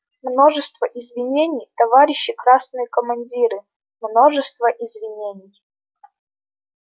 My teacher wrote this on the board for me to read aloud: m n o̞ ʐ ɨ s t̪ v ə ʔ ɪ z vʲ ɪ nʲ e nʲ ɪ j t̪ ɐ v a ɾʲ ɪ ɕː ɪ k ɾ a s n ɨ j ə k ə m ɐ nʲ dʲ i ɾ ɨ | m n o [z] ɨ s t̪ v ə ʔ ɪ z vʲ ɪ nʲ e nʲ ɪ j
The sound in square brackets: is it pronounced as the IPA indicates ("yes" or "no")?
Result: no